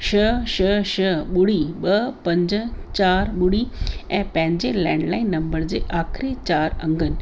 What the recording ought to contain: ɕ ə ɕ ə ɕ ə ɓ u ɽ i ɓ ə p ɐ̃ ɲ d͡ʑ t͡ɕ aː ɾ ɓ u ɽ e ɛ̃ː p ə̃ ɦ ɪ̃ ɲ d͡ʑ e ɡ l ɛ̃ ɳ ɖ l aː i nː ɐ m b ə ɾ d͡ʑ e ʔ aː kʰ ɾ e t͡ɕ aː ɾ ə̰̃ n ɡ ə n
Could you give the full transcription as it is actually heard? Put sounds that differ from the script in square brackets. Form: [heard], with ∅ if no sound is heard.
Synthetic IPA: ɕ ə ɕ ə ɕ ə ɓ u ɽ i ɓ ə p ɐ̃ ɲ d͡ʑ t͡ɕ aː ɾ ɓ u ɽ [i] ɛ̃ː p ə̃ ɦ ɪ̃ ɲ d͡ʑ e [∅] l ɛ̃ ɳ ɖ l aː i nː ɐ m b ə ɾ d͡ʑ e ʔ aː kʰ ɾ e t͡ɕ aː ɾ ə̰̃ [ŋ] ɡ ə n